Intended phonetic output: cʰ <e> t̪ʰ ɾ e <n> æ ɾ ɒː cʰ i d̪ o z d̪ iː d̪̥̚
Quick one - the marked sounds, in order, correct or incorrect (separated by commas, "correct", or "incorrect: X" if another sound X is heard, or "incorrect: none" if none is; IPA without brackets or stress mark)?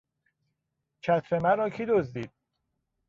incorrect: æ, incorrect: m